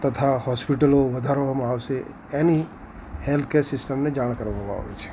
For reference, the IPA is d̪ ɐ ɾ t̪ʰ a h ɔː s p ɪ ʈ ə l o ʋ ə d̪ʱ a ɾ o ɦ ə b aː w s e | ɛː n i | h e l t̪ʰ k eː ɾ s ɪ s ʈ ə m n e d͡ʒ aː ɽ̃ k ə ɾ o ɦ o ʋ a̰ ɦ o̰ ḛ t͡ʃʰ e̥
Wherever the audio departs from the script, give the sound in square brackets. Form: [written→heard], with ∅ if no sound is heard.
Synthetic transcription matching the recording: [d̪→t̪] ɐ [ɾ→∅] t̪ʰ a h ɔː s p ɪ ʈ ə l o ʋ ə d̪ʱ a ɾ o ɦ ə [b→m] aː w s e | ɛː n i | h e l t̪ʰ k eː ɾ s ɪ s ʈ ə m n e d͡ʒ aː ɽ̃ k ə ɾ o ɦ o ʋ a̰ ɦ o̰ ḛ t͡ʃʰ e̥